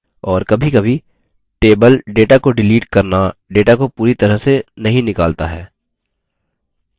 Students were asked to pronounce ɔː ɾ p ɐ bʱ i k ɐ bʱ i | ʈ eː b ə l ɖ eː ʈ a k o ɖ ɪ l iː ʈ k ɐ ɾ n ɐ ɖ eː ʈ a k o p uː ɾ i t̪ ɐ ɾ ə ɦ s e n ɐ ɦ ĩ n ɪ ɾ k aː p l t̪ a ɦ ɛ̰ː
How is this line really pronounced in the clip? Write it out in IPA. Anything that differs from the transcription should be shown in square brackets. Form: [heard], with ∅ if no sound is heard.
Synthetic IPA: ɔː ɾ [k] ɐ bʱ i k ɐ bʱ i | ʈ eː b ə l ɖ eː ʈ a k o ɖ ɪ l iː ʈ k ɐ ɾ n [a] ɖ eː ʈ a k o p uː ɾ i t̪ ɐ ɾ ə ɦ s e n ɐ ɦ ĩ n ɪ [∅] k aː [∅] l t̪ a ɦ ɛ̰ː